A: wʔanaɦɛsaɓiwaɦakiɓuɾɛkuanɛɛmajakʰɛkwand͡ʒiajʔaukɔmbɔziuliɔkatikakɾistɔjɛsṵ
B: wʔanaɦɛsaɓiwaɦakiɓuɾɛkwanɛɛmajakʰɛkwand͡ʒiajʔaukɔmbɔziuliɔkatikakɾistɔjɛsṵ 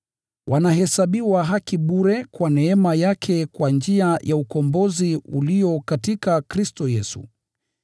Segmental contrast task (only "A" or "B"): B